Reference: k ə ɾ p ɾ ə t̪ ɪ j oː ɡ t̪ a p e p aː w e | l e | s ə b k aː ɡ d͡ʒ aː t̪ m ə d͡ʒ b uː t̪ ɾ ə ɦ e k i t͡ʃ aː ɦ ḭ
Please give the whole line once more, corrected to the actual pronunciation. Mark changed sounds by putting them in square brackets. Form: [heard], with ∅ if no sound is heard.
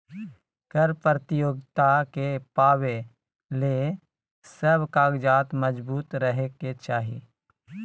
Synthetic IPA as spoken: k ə ɾ p ɾ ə t̪ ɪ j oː ɡ t̪ a [k] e p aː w e | l e | s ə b k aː ɡ d͡ʒ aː t̪ m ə d͡ʒ b uː t̪ ɾ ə ɦ e k [e] t͡ʃ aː ɦ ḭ

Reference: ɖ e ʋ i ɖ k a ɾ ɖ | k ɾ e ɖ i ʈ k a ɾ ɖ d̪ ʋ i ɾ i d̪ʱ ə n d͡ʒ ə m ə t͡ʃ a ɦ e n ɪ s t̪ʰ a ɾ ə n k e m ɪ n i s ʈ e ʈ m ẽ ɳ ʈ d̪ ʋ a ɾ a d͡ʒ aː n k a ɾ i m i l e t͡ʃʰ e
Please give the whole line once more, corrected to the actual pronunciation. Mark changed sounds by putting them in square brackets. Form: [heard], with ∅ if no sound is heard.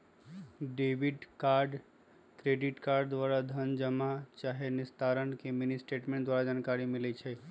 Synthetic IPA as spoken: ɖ e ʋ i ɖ k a ɾ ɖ | k ɾ e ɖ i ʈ k a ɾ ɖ d̪ ʋ [a] ɾ [a] d̪ʱ ə n d͡ʒ ə m [a] t͡ʃ a ɦ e n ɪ s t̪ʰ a ɾ ə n k e m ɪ n i s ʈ e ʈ m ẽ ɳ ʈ d̪ ʋ a ɾ a d͡ʒ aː n k a ɾ i m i l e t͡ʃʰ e

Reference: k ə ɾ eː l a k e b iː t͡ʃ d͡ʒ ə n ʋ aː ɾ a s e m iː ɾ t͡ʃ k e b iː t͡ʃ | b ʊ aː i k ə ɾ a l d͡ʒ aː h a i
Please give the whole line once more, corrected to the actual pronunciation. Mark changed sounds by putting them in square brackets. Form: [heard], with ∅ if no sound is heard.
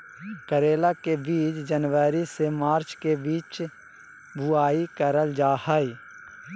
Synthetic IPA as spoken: k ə ɾ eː l a k e b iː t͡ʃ d͡ʒ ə n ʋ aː ɾ [i] s e m [aː] ɾ t͡ʃ k e b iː t͡ʃ | b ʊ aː i k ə ɾ [ə] l d͡ʒ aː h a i

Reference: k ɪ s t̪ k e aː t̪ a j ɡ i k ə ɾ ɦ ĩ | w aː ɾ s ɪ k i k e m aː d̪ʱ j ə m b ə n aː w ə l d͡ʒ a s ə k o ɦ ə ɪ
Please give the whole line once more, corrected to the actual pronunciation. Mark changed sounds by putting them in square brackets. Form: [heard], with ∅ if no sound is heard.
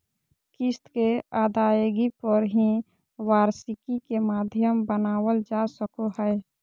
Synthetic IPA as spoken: k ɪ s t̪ k e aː [d̪] a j ɡ i [p] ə ɾ ɦ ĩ | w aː ɾ s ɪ k i k e m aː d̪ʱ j ə m b ə n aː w ə l d͡ʒ a s ə k o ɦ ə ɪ

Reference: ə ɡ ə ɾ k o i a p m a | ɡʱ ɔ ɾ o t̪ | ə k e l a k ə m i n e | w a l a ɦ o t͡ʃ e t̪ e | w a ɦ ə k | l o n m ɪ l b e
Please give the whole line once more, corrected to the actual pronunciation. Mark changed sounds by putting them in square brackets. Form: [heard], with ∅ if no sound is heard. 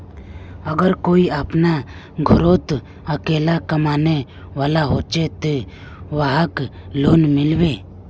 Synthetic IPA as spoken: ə ɡ ə ɾ k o i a p [n] a | ɡʱ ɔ ɾ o t̪ | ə k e l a k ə m [a] n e | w a l a ɦ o t͡ʃ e t̪ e | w a ɦ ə k | l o n m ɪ l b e

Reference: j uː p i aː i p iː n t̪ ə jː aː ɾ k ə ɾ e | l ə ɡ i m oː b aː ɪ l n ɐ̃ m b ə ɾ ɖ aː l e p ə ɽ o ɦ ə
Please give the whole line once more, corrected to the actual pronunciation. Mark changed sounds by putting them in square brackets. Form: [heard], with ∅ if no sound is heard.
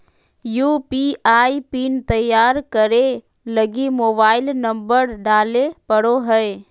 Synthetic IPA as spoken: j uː p i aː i p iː n t̪ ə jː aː ɾ k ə ɾ e | l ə ɡ i m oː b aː ɪ l n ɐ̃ m b ə ɾ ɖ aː l e p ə ɽ o ɦ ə

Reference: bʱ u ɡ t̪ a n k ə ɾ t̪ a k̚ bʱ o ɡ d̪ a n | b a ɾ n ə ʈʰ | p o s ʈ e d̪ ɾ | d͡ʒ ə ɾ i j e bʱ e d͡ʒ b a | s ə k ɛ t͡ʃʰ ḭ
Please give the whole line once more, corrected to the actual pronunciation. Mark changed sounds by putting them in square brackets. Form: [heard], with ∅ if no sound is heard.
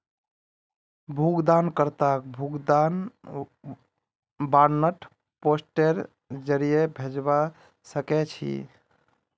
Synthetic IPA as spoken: bʱ u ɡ [d̪] a n k ə ɾ t̪ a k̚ bʱ [u] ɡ d̪ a n | b a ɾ n ə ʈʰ | p o s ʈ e [∅] ɾ | d͡ʒ ə ɾ i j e bʱ e d͡ʒ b a | s ə k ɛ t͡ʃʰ ḭ

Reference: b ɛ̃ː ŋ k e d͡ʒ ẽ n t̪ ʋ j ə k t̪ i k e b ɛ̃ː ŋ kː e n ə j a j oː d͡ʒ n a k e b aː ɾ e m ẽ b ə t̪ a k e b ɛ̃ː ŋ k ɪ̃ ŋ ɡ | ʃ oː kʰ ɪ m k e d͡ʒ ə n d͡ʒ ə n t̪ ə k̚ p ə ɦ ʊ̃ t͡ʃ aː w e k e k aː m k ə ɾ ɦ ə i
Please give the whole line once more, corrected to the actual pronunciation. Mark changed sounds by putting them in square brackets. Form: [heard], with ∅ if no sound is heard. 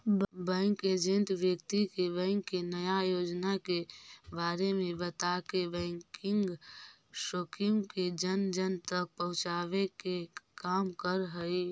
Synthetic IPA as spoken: b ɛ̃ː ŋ k e d͡ʒ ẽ n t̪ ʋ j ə k t̪ i k e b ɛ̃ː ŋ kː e n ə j a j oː d͡ʒ n a k e b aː ɾ e m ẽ b ə t̪ a k e b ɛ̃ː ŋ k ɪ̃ ŋ ɡ | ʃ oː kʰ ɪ m k e d͡ʒ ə n d͡ʒ ə n t̪ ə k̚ p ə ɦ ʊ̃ t͡ʃ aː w e k e k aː m k ə ɾ ɦ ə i

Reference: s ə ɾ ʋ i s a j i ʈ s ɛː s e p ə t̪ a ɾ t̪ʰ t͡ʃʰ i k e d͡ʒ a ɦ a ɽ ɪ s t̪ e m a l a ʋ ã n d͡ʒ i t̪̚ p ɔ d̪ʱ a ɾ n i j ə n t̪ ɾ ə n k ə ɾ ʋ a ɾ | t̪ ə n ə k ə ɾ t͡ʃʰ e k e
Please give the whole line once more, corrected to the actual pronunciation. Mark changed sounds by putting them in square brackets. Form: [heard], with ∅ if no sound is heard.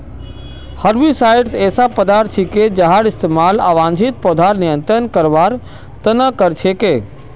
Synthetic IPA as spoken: [h] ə ɾ ʋ i s a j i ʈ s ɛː s [a] p ə [d̪] a ɾ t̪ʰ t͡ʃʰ i k e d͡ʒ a ɦ a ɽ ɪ s t̪ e m a l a ʋ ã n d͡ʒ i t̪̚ p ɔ d̪ʱ a ɾ n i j ə n t̪ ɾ ə n k ə ɾ ʋ a ɾ | t̪ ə n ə k ə ɾ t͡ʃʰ e k e

